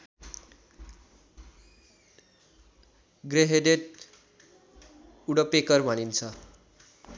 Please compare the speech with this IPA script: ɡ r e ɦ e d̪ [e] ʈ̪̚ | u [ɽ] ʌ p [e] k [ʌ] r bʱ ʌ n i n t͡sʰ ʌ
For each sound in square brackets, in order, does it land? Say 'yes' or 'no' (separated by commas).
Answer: yes, yes, yes, yes